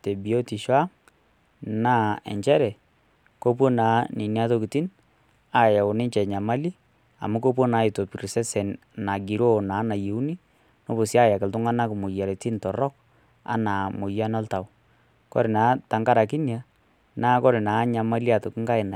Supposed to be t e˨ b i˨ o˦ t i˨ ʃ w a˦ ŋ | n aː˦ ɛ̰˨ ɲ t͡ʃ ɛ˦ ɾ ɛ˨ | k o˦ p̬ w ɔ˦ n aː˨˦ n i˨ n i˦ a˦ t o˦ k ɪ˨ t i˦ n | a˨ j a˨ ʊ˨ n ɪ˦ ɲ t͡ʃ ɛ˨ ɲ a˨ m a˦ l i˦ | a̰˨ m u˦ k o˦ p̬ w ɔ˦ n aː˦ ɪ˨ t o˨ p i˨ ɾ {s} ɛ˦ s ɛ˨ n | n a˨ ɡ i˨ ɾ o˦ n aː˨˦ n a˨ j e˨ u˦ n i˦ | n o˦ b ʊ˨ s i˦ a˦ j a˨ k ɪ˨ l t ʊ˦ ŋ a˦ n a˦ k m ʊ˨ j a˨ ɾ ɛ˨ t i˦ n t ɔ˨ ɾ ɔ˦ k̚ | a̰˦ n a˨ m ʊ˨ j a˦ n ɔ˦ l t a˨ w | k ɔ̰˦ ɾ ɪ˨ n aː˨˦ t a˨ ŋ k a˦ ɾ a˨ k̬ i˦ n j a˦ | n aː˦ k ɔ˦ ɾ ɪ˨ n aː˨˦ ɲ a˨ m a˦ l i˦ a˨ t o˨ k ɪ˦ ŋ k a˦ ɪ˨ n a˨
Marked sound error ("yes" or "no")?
no